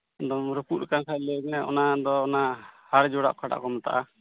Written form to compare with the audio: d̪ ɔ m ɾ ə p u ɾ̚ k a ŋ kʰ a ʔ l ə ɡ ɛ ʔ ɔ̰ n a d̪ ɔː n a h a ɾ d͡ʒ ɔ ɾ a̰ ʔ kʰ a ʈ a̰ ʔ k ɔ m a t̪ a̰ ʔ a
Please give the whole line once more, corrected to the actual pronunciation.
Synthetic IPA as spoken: d̪ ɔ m ɾ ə p u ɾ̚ k a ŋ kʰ a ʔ l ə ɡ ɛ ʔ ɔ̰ n a d̪ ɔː n a h a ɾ d͡ʒ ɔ ɽ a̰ ʔ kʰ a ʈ a̰ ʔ k ɔ m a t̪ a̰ ʔ a